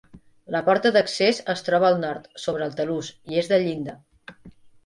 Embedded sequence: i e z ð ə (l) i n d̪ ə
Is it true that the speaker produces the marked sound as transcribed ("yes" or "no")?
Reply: no